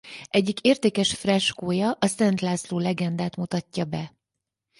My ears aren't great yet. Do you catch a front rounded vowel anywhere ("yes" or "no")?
no